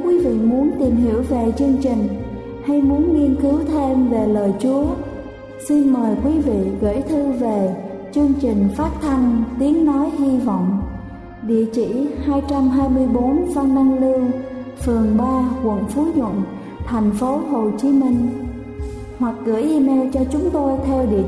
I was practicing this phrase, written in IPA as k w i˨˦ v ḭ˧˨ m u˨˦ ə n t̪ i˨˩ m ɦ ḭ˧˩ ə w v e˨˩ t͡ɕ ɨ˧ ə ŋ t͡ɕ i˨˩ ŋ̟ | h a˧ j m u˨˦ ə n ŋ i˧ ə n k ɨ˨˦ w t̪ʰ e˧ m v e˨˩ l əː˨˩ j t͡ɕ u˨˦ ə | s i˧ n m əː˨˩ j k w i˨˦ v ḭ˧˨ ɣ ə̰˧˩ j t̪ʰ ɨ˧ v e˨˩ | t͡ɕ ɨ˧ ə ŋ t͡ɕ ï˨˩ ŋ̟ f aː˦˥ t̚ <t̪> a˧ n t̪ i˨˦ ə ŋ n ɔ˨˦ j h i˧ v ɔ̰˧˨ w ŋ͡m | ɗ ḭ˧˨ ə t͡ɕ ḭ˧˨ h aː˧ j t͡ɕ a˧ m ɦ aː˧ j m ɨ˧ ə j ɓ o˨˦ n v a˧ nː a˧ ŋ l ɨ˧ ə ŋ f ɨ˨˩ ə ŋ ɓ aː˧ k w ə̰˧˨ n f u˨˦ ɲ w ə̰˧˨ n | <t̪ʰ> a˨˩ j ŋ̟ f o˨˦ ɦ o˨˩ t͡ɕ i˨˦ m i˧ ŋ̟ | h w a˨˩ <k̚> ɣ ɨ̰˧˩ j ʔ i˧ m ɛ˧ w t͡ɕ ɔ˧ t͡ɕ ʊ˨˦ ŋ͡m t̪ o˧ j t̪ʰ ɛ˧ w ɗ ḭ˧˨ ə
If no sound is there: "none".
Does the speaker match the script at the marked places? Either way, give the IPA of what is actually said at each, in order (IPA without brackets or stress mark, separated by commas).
t̪ʰ, t̪ʰ, k̚